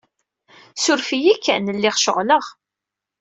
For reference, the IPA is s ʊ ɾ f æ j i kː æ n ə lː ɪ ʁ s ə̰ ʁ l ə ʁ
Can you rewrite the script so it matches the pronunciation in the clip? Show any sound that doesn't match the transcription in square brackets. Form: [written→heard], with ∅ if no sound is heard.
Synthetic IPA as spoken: s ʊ ɾ f [æ→i] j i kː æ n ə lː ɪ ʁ [s→ʃ] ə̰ ʁ l ə ʁ